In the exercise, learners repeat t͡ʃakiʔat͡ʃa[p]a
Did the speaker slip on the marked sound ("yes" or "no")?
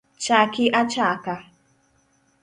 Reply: yes